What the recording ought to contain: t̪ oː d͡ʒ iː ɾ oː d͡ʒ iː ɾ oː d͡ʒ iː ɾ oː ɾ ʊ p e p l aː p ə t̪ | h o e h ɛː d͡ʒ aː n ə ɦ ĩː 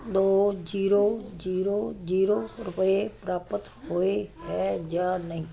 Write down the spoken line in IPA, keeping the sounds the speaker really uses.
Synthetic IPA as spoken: d̪ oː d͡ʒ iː ɾ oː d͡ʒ iː ɾ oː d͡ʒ iː ɾ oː ɾ ʊ p e p ɾ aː p ə t̪ | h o e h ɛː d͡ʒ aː n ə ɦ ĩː